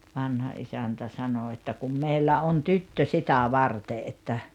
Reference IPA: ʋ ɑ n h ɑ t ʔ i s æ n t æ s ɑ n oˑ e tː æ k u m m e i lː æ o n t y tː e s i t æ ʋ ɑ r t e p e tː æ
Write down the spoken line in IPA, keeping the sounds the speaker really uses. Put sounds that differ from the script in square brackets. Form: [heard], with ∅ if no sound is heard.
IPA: ʋ ɑ n h ɑ [∅] ʔ i s æ n t æ s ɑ n oˑ e tː æ k u m m e i lː æ o n t y tː [ø] s i t æ ʋ ɑ r t e [ʔ] e tː æ